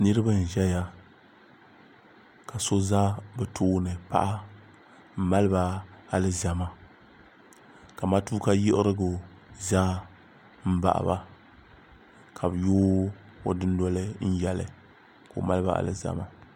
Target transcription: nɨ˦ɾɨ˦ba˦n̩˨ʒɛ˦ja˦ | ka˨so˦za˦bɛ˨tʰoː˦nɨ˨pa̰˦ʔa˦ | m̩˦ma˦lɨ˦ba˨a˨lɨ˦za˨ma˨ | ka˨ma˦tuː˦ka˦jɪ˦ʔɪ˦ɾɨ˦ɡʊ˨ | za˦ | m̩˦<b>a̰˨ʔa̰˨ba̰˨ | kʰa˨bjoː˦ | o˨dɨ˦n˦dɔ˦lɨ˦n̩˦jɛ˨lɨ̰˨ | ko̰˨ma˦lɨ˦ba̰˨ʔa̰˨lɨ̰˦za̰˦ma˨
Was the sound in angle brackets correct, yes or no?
yes